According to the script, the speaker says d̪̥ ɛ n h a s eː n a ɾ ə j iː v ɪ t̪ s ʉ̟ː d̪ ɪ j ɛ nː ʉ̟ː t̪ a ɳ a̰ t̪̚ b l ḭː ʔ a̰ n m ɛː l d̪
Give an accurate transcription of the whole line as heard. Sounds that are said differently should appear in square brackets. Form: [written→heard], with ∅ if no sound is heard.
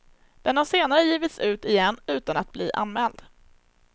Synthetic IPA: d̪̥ ɛ n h a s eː n a ɾ ə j iː v ɪ t̪ s ʉ̟ː [d̪→t̪] ɪ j ɛ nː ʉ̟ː t̪ a [ɳ→n] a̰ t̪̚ b l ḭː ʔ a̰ n m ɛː l d̪